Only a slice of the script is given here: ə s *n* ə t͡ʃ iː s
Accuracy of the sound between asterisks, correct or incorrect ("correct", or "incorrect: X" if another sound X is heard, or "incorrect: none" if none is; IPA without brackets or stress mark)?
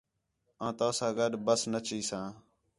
correct